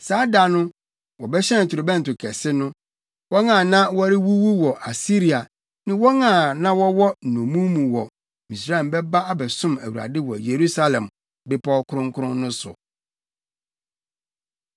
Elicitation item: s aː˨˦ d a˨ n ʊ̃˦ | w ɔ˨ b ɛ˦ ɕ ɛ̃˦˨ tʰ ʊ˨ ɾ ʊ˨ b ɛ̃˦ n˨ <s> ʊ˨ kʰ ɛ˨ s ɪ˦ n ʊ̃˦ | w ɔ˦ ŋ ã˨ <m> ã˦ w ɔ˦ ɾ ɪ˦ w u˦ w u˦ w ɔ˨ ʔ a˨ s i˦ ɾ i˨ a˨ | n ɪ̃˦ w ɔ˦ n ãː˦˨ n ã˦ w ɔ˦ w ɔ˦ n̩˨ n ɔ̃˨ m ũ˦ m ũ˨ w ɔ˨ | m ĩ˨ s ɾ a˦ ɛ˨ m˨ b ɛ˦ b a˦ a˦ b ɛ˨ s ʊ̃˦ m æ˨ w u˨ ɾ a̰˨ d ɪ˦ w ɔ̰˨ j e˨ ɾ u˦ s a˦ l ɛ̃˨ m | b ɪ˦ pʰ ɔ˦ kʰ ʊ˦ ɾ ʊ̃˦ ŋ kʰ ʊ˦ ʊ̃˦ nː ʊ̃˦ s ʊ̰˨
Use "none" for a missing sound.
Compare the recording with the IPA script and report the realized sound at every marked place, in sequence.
t, n

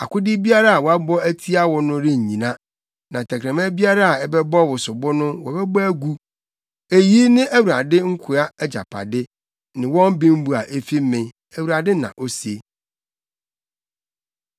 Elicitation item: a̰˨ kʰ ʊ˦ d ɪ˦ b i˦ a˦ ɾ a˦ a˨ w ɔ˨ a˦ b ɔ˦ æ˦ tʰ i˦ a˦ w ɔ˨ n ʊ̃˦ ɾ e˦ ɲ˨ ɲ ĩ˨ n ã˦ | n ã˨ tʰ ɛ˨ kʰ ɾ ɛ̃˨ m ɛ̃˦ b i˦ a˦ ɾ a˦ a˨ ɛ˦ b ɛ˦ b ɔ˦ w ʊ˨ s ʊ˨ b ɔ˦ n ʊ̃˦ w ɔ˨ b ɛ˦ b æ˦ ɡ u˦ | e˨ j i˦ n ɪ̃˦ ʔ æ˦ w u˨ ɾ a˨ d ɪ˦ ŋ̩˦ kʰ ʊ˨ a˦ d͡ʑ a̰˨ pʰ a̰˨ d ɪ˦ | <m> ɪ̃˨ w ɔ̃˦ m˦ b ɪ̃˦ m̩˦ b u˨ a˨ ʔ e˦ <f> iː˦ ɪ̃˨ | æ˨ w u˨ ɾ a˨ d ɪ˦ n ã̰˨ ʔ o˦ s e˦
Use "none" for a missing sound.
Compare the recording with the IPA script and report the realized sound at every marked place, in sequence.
n, f

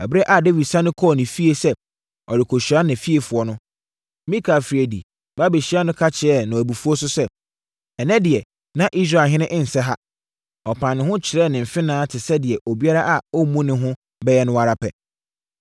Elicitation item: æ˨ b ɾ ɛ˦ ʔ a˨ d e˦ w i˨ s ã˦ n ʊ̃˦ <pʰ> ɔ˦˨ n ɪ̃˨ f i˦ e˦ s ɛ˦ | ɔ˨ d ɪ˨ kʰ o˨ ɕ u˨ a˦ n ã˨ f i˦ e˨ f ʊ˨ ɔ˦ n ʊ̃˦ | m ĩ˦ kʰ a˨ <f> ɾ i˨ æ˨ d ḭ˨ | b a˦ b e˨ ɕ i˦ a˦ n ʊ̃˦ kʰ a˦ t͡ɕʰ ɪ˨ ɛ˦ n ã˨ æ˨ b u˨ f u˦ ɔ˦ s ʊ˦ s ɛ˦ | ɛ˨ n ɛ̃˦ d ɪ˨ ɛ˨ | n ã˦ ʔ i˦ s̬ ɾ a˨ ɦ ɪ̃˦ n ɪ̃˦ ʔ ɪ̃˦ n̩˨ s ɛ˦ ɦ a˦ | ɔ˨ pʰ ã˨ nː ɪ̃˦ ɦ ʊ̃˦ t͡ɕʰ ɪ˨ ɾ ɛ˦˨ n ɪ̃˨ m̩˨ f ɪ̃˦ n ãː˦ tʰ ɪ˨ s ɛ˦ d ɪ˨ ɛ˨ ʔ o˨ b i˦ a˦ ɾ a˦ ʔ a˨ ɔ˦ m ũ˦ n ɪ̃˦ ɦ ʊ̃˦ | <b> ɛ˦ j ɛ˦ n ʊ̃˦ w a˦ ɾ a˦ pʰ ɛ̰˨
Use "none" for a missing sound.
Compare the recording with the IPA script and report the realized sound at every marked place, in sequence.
kʰ, f, b

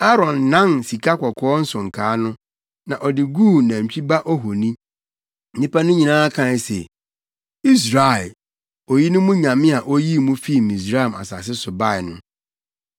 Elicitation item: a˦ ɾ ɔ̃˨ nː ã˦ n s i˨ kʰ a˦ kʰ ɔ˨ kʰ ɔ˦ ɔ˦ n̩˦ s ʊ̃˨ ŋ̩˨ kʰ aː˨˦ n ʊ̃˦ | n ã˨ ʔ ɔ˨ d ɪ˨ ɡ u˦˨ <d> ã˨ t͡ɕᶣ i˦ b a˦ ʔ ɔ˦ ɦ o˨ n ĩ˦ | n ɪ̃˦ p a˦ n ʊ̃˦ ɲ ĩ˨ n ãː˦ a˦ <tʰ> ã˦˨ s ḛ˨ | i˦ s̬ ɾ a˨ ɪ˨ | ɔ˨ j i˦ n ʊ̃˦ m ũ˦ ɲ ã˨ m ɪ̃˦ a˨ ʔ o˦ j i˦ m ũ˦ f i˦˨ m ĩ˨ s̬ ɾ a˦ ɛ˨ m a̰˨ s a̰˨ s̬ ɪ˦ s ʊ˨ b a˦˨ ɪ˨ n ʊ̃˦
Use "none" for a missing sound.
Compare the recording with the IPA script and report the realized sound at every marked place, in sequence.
n, kʰ

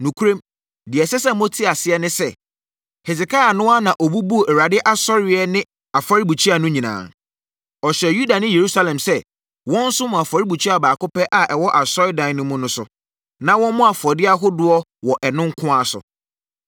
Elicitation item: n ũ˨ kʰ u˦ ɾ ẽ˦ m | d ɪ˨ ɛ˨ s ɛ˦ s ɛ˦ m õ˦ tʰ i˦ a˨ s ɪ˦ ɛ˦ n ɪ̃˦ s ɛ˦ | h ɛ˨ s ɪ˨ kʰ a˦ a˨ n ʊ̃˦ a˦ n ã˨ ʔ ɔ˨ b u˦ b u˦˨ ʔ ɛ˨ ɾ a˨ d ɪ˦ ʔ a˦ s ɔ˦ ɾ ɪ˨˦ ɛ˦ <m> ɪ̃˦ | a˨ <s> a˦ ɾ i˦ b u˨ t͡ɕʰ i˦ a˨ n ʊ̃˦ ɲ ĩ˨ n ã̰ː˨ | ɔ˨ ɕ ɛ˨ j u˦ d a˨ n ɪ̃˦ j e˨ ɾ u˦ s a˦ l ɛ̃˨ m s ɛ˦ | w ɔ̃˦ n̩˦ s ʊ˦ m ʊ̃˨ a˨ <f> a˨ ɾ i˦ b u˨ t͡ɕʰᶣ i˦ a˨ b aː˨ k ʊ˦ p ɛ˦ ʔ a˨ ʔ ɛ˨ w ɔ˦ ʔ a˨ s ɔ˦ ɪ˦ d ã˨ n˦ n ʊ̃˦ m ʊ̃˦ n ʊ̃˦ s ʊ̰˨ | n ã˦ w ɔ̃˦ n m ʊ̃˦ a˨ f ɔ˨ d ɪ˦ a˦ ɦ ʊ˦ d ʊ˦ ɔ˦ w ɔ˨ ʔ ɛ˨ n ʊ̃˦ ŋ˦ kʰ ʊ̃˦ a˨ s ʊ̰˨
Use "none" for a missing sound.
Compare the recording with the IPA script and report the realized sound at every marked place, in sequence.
n, f, f

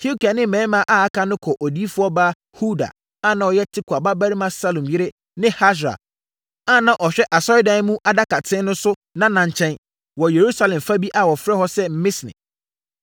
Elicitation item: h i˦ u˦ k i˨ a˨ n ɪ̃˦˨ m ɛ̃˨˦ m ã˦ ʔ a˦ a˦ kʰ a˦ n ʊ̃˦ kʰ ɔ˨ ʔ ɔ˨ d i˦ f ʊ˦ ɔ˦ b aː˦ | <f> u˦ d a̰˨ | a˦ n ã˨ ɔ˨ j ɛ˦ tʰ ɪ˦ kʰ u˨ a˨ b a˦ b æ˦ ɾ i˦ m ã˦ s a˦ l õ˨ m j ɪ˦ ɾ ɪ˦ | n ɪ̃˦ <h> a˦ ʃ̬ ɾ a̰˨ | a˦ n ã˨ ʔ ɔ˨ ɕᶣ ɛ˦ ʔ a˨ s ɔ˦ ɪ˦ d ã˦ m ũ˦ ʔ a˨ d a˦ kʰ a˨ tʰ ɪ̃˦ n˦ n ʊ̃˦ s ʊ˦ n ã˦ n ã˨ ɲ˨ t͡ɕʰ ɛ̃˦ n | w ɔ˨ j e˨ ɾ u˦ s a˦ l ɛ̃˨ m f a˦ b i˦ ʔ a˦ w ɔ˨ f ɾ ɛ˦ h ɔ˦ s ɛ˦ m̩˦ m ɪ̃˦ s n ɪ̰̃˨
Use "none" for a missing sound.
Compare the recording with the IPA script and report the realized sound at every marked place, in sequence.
h, h

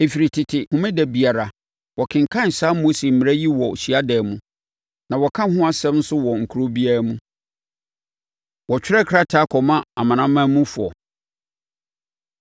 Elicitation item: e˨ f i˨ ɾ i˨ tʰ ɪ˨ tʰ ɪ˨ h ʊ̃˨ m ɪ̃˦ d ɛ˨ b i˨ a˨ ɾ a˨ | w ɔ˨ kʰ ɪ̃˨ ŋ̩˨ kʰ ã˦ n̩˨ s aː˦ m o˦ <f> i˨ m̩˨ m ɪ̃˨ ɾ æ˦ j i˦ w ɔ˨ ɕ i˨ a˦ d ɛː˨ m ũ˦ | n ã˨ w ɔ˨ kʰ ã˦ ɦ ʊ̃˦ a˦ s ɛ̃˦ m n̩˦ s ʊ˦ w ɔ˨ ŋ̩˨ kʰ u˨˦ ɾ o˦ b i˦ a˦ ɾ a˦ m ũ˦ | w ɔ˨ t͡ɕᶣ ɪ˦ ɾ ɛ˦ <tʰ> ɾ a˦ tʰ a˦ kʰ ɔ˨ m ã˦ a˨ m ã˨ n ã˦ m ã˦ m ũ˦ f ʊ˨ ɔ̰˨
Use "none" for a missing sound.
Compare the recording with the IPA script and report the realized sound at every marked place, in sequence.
s, kʰ

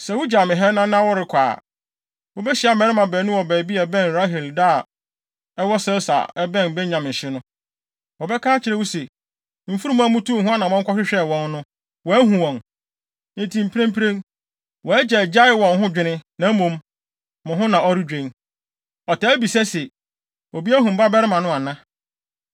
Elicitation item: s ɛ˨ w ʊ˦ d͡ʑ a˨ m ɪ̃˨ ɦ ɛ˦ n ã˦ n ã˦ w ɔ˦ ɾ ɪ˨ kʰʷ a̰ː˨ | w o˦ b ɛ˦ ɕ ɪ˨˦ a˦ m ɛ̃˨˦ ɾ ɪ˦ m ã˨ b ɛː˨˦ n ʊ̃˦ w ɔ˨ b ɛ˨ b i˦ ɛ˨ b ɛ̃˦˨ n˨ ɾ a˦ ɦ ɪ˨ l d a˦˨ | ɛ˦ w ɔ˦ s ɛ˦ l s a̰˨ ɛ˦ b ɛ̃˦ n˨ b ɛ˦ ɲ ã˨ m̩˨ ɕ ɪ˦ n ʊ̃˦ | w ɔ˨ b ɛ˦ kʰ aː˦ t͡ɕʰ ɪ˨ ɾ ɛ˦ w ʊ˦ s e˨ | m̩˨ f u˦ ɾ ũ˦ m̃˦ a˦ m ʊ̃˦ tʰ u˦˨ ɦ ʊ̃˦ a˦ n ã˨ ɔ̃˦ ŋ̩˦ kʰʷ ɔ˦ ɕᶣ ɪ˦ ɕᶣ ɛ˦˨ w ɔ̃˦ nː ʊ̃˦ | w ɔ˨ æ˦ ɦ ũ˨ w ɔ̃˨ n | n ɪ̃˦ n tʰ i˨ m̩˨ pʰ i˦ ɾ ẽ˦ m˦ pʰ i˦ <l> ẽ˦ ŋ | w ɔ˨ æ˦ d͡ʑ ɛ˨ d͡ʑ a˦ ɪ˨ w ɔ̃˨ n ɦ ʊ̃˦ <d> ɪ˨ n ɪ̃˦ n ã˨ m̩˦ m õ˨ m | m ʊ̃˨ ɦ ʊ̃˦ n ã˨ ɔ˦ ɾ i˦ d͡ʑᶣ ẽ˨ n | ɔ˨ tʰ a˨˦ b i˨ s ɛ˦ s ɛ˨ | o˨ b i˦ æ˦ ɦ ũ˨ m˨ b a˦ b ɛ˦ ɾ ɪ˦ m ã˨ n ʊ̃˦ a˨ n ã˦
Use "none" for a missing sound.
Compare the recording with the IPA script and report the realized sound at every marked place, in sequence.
ɾ, d͡ʑᶣ

